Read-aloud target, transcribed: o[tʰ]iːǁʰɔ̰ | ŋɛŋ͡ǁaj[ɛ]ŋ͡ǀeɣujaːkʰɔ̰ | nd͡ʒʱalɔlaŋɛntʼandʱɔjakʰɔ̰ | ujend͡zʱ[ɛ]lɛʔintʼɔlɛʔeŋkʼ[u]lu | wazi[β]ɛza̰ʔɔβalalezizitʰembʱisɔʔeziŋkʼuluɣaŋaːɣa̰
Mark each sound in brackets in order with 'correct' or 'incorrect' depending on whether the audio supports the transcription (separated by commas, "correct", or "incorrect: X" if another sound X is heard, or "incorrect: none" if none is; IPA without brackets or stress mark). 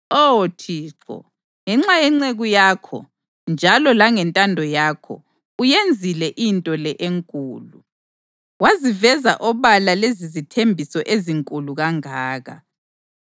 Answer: correct, correct, incorrect: i, incorrect: uː, incorrect: v